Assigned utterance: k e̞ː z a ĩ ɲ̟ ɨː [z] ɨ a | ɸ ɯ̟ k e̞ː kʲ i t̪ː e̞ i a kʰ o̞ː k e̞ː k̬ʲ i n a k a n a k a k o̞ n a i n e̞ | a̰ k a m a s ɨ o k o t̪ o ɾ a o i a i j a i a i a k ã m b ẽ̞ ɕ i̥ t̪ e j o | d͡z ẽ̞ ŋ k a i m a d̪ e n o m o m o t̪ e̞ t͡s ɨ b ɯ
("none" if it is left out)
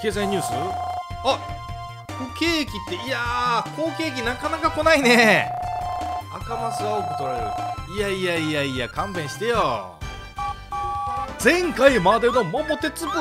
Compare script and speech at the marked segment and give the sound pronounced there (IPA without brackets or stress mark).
s